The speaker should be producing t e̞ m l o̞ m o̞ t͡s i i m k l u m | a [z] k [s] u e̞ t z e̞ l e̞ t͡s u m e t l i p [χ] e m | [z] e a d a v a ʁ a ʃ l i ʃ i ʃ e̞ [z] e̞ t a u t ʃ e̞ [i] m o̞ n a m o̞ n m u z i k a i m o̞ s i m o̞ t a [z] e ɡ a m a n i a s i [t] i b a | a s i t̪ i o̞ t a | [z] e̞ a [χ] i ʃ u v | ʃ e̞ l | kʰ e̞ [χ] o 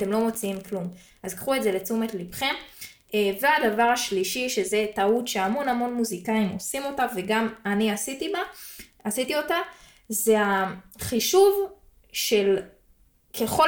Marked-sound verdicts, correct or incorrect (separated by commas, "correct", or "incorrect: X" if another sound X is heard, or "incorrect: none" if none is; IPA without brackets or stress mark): correct, incorrect: χ, correct, incorrect: v, correct, incorrect: a, incorrect: v, correct, correct, correct, correct